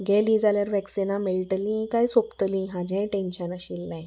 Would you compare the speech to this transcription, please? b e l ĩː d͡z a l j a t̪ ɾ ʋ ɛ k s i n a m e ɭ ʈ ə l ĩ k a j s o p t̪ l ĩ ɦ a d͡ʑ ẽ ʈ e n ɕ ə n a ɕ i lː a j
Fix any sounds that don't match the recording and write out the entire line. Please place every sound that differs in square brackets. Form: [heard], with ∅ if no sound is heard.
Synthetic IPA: [ɡ] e l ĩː d͡z a l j a [∅] ɾ ʋ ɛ k s i n a m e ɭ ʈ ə l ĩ k a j s o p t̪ l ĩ ɦ a d͡ʑ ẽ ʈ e n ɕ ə n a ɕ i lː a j